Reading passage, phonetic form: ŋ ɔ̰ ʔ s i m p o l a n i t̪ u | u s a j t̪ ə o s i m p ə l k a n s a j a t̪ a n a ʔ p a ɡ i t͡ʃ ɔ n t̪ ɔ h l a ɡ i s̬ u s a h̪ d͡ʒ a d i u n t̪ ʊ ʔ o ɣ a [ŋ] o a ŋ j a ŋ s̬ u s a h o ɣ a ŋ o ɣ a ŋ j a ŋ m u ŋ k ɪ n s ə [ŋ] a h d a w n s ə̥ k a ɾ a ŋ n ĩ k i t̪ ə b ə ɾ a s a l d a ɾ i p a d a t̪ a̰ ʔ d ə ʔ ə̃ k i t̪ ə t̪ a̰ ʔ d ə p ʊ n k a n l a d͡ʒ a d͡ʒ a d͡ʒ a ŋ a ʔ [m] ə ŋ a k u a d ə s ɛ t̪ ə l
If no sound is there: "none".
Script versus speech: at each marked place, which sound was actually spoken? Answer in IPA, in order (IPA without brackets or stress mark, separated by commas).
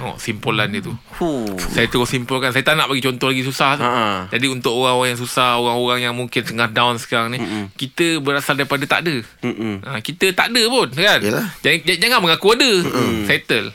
ŋ, ŋ, m